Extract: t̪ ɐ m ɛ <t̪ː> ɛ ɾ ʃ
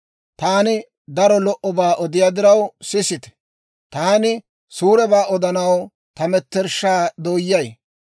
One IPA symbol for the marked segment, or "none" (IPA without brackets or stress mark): t̪ː